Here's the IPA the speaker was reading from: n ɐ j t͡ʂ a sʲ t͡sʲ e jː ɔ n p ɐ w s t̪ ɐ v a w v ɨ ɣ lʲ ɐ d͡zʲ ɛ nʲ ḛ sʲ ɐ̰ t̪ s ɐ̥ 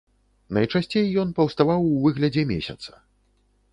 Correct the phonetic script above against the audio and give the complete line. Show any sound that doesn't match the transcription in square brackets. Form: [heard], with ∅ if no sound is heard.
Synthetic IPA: n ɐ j t͡ʂ a sʲ t͡sʲ e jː ɔ n p ɐ w s t̪ [a] v a w v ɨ ɣ lʲ ɐ d͡zʲ ɛ [mʲ] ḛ sʲ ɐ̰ t̪ s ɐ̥